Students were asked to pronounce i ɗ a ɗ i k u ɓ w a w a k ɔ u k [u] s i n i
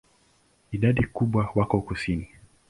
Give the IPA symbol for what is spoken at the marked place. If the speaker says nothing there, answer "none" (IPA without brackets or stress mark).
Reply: u